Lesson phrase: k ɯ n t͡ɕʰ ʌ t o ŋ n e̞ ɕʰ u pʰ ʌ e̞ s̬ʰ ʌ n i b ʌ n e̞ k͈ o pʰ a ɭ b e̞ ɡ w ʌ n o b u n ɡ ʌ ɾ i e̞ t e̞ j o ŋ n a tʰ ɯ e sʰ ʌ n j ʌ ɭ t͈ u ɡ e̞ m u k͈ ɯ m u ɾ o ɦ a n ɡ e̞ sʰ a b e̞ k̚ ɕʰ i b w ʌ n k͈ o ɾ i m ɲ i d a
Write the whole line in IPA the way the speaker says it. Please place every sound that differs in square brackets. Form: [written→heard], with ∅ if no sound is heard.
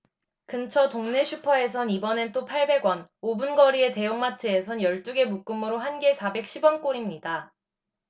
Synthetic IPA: k ɯ n t͡ɕʰ ʌ t o ŋ n e̞ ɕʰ u pʰ ʌ e̞ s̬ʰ ʌ n i b ʌ n e̞ [k͈→t͈] o pʰ a ɭ b e̞ ɡ w ʌ n o b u n ɡ ʌ ɾ i e̞ t e̞ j o ŋ [n→m] a tʰ ɯ e sʰ ʌ n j ʌ ɭ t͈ u ɡ e̞ m u k͈ ɯ m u ɾ o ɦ a n ɡ e̞ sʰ a b e̞ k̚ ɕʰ i b w ʌ n k͈ o ɾ i m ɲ i d a

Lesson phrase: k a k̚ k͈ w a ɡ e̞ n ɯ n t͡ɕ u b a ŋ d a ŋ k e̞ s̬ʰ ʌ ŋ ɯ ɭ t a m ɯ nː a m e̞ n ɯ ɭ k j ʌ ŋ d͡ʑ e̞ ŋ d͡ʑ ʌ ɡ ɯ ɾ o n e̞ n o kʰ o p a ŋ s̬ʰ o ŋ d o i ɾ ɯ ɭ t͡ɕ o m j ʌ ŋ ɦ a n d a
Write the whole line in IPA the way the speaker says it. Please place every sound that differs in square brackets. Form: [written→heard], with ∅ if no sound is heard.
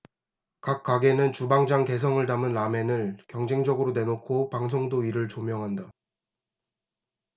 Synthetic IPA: k a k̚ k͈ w a ɡ e̞ n ɯ n t͡ɕ u b a ŋ [d→d͡ʑ] a ŋ k e̞ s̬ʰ ʌ ŋ ɯ ɭ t a m ɯ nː a m e̞ n ɯ ɭ k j ʌ ŋ d͡ʑ e̞ ŋ d͡ʑ ʌ ɡ ɯ ɾ o n e̞ n o kʰ o p a ŋ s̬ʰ o ŋ d o i ɾ ɯ ɭ t͡ɕ o m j ʌ ŋ ɦ a n d a

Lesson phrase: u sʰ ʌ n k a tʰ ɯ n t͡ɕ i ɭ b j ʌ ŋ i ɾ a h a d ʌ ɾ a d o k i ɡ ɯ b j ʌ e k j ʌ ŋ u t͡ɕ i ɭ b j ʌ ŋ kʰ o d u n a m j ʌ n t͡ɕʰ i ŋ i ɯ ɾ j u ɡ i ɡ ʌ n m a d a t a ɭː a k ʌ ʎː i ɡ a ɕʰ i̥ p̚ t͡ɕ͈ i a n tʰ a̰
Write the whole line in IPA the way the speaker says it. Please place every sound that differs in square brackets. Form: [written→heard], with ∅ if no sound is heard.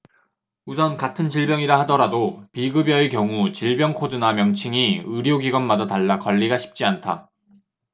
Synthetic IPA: u sʰ ʌ n k a tʰ ɯ n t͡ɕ i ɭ b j ʌ ŋ i ɾ a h a d ʌ ɾ a d o [k→p] i ɡ ɯ b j ʌ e k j ʌ ŋ u t͡ɕ i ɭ b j ʌ ŋ kʰ o d [u→ɯ] n a m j ʌ [n→ŋ] t͡ɕʰ i ŋ i ɯ ɾ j [u→o] ɡ i ɡ ʌ n m a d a t a ɭː a k ʌ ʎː i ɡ a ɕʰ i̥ p̚ t͡ɕ͈ i a n tʰ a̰

